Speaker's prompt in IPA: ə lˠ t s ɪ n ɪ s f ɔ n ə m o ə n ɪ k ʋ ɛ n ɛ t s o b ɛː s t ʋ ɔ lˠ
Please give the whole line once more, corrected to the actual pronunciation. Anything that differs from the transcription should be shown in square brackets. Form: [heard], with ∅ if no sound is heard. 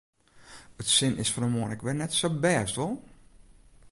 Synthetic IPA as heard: ə [∅] t s ɪ n ɪ s f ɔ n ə m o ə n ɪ k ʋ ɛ n ɛ t s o b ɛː s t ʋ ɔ lˠ